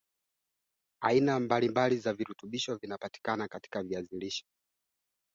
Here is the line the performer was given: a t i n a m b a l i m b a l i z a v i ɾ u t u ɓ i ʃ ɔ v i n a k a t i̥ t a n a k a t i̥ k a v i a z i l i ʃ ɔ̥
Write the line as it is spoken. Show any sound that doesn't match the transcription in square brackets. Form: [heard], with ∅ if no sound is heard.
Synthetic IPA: a [∅] i n a m b a l i m b a l i z a v i ɾ u t u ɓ i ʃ ɔ v i n a [p] a t i̥ [k] a n a k a t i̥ k a v i a z i l i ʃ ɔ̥